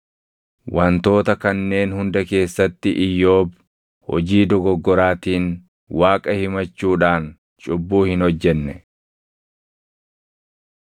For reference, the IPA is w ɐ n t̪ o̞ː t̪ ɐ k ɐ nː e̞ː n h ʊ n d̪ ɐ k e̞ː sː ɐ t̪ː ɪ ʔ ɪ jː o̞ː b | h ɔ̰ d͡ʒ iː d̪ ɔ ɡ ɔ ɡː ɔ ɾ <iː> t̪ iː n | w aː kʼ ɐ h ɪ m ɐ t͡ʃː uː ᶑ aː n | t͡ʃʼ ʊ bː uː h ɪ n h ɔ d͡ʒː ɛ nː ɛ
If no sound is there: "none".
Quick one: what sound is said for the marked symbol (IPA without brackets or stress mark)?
aː